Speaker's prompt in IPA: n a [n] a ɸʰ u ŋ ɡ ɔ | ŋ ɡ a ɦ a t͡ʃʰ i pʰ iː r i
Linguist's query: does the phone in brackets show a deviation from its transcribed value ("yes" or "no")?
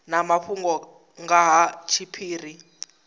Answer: yes